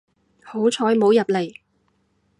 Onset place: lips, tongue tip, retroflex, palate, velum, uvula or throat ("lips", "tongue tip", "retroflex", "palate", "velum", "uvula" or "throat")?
throat